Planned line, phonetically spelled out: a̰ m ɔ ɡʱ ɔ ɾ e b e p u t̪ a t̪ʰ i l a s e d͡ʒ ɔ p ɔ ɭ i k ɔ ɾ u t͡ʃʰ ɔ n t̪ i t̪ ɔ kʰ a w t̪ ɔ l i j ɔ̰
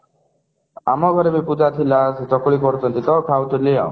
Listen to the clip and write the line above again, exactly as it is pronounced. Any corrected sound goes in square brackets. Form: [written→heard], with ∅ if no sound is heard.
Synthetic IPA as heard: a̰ m ɔ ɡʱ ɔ ɾ e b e p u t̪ a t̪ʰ i l a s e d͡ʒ ɔ [p→k] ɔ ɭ i k ɔ ɾ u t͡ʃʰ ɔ n t̪ i t̪ ɔ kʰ a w t̪ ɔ l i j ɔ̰